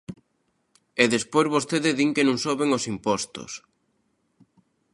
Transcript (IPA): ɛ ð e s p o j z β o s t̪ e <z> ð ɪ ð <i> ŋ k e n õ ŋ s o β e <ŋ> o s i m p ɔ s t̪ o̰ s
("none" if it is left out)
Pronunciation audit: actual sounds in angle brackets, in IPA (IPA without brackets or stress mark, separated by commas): none, i, ŋ